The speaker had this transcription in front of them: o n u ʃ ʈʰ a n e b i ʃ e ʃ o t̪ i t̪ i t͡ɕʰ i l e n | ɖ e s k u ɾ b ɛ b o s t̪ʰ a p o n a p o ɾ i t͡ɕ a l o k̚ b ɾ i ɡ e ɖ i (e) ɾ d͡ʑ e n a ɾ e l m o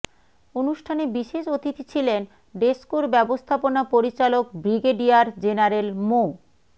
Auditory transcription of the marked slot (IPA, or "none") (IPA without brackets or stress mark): a